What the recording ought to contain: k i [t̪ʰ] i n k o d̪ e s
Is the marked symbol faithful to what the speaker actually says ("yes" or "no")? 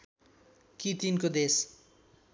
no